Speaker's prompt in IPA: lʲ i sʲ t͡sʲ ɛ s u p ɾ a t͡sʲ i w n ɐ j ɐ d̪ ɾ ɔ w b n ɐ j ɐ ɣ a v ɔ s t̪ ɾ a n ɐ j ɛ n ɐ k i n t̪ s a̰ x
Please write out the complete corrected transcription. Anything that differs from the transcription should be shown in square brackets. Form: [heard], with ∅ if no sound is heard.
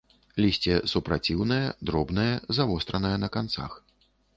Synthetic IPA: lʲ i sʲ t͡sʲ ɛ s u p ɾ a t͡sʲ i w n ɐ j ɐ d̪ ɾ ɔ [∅] b n ɐ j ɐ [z] a v ɔ s t̪ ɾ [ɐ] n ɐ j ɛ n ɐ k [a] n t̪ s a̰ x